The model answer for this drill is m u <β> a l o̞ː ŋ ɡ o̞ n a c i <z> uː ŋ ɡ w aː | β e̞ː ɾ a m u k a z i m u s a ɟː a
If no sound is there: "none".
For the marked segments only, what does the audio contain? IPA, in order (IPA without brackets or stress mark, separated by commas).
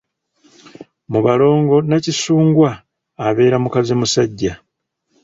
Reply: β, s